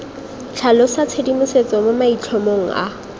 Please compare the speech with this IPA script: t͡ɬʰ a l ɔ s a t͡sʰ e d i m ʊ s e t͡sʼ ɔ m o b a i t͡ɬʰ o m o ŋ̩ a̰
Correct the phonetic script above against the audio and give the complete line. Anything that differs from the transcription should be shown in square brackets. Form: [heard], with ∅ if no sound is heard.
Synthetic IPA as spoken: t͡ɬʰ a l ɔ s a t͡sʰ e d i m ʊ s e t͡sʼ ɔ m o [m] a i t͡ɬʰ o m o ŋ̩ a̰